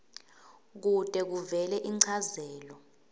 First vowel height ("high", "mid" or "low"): high